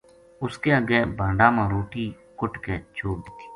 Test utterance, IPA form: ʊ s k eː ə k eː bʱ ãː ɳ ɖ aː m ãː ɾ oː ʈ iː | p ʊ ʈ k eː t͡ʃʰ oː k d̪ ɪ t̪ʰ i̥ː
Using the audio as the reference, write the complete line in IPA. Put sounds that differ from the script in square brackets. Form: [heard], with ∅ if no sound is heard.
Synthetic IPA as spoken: ʊ s k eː ə [ɡ] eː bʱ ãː ɳ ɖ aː m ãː ɾ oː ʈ iː | [k] ʊ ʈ k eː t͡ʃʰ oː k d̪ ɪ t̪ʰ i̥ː

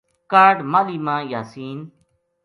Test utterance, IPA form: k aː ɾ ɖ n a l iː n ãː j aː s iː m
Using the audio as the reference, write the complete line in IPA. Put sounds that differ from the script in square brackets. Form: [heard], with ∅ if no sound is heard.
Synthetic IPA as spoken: k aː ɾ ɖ [m] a l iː [m] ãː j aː s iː [n]

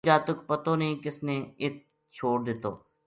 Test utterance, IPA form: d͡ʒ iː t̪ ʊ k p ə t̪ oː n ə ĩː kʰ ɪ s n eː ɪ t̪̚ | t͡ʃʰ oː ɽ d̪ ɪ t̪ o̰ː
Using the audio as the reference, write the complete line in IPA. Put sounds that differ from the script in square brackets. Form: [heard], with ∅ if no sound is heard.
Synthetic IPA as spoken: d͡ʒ [aː] t̪ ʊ k p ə t̪ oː n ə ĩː [k] ɪ s n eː ɪ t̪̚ | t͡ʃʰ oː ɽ d̪ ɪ t̪ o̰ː

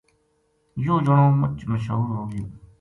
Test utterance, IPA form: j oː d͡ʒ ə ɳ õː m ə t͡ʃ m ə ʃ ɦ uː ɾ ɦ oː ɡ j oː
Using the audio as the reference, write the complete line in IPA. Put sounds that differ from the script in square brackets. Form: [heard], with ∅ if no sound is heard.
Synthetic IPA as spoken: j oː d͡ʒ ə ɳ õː m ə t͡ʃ m ə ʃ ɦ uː ɾ ɦ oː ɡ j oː

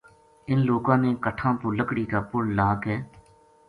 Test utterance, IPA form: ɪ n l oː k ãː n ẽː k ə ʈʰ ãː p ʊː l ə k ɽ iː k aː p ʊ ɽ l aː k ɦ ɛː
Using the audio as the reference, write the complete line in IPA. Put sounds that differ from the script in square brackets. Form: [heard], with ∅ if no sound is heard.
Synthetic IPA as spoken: ɪ n l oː k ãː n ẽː k ə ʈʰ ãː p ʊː l ə k ɽ iː k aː p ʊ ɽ l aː k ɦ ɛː

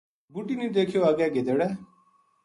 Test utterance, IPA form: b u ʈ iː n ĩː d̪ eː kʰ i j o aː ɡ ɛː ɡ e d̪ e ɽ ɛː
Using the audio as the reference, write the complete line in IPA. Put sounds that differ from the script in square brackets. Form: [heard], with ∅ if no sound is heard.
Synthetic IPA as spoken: b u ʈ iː n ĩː d̪ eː kʰ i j o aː ɡ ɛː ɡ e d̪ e ɽ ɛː

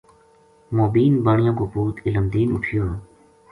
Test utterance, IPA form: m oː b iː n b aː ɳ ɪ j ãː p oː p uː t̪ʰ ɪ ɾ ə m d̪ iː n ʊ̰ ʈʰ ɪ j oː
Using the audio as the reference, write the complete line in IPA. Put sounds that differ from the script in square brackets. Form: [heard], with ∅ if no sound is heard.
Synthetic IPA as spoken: m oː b iː n b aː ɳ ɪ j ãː [k] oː p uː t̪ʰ ɪ [l] ə m d̪ iː n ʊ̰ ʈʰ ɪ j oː

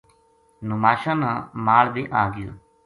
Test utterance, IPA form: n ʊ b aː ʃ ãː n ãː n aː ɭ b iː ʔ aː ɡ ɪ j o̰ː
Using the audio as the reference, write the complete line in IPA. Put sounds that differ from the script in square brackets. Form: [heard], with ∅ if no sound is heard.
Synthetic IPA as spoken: n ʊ [m] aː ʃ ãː n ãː [m] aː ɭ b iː ʔ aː ɡ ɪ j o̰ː

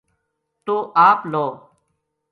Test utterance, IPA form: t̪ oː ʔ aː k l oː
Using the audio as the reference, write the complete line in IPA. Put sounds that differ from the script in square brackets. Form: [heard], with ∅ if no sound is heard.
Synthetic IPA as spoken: t̪ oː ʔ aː [p] l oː

